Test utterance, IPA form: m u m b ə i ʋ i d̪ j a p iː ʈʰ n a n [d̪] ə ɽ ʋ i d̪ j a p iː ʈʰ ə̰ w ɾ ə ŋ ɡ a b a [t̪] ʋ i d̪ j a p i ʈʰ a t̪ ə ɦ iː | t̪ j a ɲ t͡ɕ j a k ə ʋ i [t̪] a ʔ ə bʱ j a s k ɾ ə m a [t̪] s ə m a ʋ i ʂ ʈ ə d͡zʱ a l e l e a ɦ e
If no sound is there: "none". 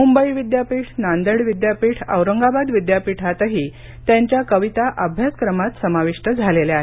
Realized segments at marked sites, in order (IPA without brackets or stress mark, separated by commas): d̪, d̪, t̪, t̪